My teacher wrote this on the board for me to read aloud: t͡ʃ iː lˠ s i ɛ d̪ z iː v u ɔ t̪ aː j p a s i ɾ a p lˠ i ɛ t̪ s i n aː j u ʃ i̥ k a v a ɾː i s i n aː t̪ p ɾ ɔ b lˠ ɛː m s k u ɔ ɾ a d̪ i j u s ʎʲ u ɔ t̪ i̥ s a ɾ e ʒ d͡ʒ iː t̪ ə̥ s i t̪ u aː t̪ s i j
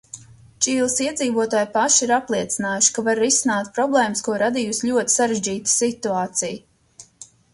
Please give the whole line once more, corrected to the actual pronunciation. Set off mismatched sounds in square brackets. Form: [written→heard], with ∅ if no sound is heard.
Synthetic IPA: t͡ʃ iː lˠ s i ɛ d̪ z iː v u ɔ t̪ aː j p a [s→ʃ] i ɾ a p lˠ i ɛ t̪ s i n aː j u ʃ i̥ k a v a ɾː i s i n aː t̪ p ɾ ɔ b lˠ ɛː m s k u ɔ ɾ a d̪ i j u s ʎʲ u ɔ t̪ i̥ s a ɾ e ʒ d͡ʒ iː t̪ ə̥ s i t̪ u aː t̪ s i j